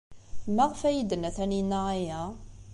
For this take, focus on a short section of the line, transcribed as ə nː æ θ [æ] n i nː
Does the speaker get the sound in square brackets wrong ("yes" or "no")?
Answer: no